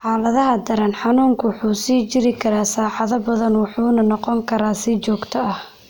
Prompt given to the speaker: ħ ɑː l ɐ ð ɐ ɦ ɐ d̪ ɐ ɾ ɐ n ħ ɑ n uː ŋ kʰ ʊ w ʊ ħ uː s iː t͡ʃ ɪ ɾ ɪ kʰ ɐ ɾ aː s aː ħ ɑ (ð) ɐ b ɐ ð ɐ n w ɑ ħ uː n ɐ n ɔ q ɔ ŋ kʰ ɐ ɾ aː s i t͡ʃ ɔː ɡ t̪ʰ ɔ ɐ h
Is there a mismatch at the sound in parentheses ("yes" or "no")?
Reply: no